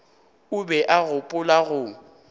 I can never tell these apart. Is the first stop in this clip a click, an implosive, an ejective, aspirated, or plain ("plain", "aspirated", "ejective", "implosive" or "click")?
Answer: plain